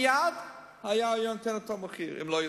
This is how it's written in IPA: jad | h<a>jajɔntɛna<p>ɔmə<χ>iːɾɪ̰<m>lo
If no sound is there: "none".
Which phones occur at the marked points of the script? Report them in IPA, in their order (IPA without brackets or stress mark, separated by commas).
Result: a, t, χ, m